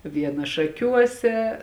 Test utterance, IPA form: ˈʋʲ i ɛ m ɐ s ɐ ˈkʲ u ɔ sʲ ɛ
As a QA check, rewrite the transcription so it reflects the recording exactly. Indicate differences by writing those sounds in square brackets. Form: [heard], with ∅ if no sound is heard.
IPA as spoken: ˈʋʲ i ɛ [n] ɐ [ʃ] ɐ ˈkʲ u ɔ sʲ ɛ